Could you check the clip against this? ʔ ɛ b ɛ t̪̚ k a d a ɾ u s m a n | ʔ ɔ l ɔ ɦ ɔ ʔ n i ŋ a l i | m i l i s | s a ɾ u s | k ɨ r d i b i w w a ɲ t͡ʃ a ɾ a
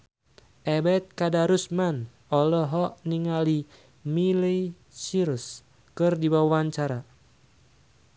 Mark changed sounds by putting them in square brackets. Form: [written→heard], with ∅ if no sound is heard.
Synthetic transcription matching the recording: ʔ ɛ b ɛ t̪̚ k a d a ɾ u s m a n | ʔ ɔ l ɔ ɦ ɔ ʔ n i ŋ a l i | m i l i [s→∅] | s [a→i] ɾ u s | k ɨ r d i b [i→a] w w a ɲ t͡ʃ a ɾ a